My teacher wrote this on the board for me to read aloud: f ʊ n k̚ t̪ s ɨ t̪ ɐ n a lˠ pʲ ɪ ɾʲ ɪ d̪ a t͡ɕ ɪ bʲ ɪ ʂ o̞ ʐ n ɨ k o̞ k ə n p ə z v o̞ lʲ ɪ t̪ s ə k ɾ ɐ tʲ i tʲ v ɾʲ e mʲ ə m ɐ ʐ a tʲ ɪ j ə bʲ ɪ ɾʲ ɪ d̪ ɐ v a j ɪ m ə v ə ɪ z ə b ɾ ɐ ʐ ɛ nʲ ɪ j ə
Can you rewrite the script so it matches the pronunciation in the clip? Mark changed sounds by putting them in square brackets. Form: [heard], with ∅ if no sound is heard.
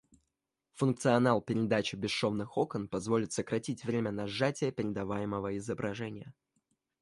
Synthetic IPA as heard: f ʊ n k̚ t̪ s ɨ [∅] ɐ n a lˠ pʲ ɪ ɾʲ ɪ d̪ a t͡ɕ ɪ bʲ ɪ ʂ o̞ [v] n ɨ [x] o̞ k ə n p [ɐ] z v o̞ lʲ ɪ t̪ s ə k ɾ ɐ tʲ i tʲ v ɾʲ e mʲ ə [n] ɐ ʐ a tʲ ɪ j ə [pʲ] ɪ ɾʲ ɪ d̪ ɐ v a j ɪ m ə v ə ɪ z ə b ɾ ɐ ʐ ɛ nʲ ɪ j ə